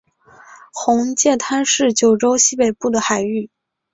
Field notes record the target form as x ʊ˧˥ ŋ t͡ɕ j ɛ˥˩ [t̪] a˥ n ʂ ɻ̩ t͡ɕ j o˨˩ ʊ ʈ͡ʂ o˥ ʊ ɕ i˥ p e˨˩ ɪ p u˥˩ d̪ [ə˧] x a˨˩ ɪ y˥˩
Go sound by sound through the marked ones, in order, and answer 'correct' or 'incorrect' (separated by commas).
incorrect, incorrect